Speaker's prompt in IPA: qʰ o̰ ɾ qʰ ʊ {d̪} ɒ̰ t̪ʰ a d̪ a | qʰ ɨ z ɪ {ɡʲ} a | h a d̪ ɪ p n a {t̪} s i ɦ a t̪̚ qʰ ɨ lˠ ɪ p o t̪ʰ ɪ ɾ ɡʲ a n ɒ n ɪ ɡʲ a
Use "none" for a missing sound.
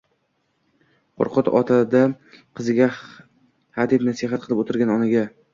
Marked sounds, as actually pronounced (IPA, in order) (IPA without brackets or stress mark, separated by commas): t̪, ɡʲ, none